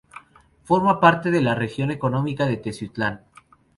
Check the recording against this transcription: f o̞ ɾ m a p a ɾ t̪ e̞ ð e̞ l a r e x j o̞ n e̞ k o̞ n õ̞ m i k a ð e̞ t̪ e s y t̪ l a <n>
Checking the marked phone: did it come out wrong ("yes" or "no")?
no